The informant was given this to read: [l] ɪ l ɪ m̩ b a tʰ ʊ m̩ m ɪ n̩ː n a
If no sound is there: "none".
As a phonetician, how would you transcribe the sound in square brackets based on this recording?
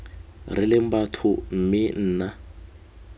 r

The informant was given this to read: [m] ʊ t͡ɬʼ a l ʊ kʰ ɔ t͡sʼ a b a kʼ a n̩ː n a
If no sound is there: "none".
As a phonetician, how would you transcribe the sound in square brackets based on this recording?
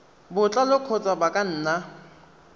b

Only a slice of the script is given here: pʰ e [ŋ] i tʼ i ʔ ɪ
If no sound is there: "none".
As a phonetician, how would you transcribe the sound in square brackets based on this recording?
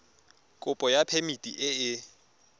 m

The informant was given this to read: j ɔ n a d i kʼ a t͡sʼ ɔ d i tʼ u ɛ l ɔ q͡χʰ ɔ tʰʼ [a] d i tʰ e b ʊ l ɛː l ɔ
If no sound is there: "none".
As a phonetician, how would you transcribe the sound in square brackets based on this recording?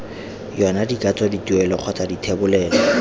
a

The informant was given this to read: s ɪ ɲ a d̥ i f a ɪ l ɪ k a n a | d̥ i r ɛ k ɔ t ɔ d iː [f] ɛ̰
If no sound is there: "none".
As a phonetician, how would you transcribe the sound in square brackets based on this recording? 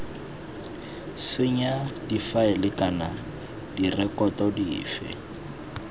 f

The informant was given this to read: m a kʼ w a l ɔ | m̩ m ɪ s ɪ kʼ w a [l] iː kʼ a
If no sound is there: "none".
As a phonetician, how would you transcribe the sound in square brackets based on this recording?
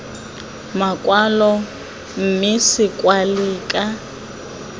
l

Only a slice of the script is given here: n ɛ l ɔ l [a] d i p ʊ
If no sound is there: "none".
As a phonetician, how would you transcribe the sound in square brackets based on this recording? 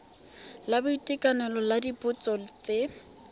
a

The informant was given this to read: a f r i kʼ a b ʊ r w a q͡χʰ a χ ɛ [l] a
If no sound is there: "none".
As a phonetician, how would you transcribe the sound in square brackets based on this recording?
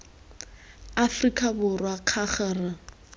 r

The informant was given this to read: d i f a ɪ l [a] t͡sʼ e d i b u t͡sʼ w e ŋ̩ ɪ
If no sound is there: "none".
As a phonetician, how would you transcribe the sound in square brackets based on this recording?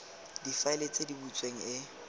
e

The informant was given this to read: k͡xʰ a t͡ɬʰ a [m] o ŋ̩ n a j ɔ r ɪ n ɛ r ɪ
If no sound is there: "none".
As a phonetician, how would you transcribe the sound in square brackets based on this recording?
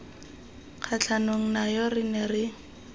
n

